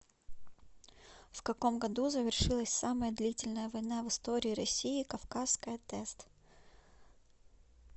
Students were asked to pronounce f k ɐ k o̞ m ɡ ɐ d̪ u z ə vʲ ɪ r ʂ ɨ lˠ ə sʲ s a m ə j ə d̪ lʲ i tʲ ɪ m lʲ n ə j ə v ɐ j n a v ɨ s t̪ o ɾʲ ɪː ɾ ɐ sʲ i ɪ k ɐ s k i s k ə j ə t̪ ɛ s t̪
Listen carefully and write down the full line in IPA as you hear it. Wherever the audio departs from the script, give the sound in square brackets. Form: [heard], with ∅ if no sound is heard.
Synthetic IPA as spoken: f k ɐ k o̞ m ɡ ɐ d̪ u z ə vʲ ɪ r ʂ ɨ lˠ ə sʲ s a m ə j ə d̪ lʲ i tʲ ɪ [∅] lʲ n ə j ə v ɐ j n a v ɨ s t̪ o ɾʲ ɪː ɾ ɐ sʲ i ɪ k ɐ [f] k [a] s k ə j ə t̪ ɛ s t̪